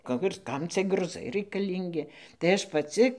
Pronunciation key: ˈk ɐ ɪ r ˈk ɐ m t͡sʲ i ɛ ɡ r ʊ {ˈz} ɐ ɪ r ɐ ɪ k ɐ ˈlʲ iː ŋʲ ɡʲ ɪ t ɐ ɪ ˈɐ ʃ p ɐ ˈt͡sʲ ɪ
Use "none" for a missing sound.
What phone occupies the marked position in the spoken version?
z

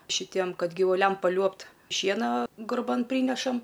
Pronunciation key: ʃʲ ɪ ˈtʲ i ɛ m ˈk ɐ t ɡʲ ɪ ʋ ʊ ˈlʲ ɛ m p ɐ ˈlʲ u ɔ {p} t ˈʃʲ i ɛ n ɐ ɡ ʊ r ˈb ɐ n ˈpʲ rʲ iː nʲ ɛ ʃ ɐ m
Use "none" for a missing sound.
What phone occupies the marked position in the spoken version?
p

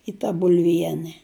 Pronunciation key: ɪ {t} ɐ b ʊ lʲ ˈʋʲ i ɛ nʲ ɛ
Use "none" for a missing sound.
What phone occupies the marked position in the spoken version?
t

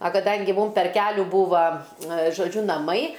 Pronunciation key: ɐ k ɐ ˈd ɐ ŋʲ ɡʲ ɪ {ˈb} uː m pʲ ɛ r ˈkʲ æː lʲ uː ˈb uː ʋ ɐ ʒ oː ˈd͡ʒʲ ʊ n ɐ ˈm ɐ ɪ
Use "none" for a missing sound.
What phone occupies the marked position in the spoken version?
m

